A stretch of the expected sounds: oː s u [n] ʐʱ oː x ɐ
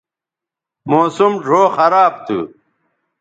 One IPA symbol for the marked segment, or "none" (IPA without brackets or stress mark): m